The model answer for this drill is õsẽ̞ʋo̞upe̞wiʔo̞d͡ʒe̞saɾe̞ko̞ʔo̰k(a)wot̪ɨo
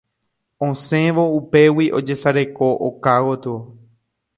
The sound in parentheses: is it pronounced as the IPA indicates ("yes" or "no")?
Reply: yes